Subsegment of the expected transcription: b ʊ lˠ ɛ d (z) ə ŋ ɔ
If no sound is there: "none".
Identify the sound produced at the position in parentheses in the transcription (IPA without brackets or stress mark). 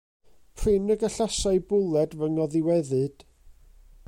v